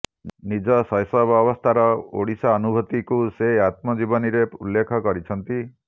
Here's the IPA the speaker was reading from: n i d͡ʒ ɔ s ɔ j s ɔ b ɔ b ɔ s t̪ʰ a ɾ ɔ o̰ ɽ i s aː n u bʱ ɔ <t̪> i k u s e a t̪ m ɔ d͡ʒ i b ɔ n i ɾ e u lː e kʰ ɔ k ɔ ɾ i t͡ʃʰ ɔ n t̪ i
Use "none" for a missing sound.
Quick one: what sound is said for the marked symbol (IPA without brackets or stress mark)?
t̪